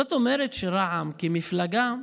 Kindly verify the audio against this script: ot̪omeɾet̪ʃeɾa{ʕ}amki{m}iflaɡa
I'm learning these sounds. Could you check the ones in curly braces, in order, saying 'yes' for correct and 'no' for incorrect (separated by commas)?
yes, yes